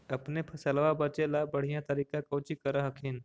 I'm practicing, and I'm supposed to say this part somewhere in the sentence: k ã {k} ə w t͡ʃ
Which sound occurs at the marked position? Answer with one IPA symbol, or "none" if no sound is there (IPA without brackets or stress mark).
k